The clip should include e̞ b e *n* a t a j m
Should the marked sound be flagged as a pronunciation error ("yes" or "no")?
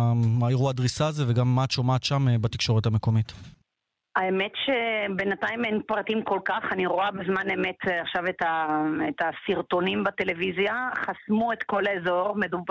no